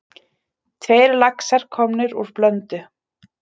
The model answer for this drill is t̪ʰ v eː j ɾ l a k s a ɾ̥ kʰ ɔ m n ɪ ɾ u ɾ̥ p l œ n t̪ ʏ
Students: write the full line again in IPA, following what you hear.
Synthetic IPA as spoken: t̪ʰ v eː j ɾ l a k s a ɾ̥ kʰ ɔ m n ɪ ɾ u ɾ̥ p l œ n t̪ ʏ